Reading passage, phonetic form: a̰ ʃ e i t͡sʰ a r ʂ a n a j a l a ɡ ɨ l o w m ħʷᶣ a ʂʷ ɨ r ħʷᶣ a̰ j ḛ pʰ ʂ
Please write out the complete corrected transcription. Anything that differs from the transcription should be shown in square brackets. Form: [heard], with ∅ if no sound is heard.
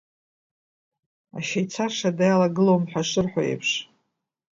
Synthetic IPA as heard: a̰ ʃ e [j] t͡sʰ a r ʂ a [d] a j a l a ɡ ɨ l o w m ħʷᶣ a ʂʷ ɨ r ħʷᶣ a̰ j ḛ pʰ ʂ